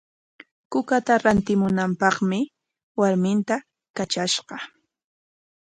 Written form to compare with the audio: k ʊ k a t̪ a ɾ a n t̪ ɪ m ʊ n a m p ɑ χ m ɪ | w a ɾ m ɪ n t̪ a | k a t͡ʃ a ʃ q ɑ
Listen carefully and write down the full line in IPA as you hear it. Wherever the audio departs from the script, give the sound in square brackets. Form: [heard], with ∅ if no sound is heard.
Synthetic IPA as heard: k ʊ k a t̪ a ɾ a n t̪ ɪ m ʊ n a m p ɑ χ m ɪ | w a ɾ m ɪ n t̪ a | k a t͡ʃ a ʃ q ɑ